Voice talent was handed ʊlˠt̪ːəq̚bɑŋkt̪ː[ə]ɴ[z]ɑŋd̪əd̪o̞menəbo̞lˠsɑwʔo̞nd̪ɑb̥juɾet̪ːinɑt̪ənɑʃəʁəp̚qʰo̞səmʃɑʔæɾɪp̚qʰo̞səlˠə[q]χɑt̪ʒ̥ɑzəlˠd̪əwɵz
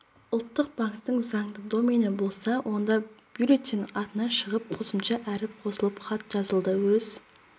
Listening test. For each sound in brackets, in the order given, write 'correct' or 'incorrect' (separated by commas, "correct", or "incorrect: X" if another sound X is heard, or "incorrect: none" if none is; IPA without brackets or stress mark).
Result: correct, correct, incorrect: p